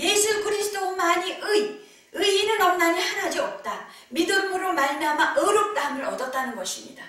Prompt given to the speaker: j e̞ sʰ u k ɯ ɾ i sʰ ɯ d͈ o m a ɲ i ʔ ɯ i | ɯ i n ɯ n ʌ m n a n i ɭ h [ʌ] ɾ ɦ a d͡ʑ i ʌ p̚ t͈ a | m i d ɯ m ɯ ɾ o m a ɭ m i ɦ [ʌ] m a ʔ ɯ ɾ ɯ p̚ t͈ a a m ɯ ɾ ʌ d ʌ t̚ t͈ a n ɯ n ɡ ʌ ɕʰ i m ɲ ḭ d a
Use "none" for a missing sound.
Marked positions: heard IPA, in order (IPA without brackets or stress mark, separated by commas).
a, a